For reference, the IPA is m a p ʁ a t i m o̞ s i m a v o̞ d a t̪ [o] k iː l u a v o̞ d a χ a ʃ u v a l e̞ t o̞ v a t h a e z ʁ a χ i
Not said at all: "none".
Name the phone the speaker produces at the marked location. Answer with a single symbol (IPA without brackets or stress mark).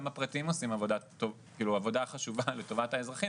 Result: o